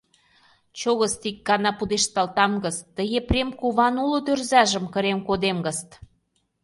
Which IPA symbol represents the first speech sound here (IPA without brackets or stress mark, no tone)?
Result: t͡ɕ